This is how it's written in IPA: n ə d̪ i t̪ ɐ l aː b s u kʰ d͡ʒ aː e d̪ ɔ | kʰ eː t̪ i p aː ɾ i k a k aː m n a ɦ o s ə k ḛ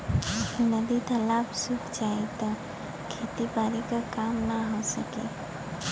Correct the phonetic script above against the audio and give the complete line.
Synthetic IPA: n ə d̪ i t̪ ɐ l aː b s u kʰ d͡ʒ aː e t̪ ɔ | kʰ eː t̪ i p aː ɾ i k a k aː m n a ɦ o s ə k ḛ